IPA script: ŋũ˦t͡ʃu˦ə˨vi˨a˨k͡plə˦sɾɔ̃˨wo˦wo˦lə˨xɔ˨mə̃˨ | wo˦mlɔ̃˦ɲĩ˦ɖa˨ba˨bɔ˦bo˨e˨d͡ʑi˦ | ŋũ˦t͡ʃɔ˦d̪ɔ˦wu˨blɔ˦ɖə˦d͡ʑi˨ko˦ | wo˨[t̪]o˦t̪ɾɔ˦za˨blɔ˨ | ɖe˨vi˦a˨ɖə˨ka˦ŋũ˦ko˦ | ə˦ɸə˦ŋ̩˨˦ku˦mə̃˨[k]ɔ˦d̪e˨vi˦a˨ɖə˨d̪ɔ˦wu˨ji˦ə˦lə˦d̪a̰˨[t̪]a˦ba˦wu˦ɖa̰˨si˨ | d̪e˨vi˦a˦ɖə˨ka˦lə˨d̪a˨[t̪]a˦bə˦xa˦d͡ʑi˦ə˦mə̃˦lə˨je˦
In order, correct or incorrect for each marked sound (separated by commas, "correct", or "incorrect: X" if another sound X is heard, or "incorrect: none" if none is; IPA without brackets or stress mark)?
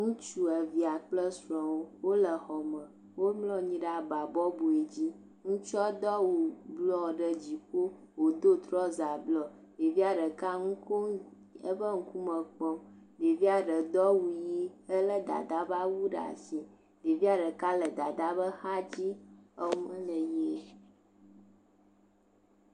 incorrect: d̪, incorrect: k͡p, incorrect: d̪, incorrect: d̪